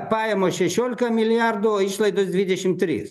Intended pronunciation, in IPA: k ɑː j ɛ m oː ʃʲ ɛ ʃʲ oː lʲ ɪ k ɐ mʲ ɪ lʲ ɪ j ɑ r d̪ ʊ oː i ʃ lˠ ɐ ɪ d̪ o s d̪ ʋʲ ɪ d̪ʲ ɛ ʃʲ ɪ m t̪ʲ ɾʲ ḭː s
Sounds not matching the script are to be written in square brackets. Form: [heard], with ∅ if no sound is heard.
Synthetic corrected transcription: [p] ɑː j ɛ m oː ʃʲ ɛ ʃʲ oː lʲ ɪ k ɐ mʲ ɪ lʲ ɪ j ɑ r d̪ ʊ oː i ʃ lˠ ɐ ɪ d̪ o s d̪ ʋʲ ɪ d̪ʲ ɛ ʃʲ ɪ m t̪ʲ ɾʲ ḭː s